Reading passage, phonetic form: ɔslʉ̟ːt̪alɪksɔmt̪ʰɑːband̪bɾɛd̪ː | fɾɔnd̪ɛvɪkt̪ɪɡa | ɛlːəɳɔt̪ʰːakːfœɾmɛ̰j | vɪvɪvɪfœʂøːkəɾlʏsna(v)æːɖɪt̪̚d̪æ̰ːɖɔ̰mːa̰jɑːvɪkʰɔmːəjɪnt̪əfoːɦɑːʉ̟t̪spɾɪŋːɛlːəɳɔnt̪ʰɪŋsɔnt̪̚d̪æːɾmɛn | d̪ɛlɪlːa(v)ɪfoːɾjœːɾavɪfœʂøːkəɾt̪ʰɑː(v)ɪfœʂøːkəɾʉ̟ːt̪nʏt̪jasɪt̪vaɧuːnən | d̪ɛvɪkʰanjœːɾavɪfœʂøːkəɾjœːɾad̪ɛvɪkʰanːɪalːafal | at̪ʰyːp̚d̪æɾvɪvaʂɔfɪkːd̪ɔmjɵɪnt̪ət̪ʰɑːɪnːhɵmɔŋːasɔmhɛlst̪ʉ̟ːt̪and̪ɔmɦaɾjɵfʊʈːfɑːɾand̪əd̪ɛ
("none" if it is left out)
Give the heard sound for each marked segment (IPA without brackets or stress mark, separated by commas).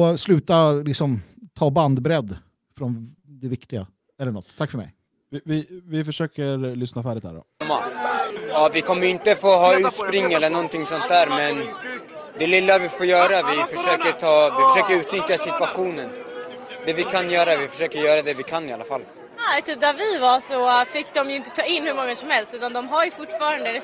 f, v, v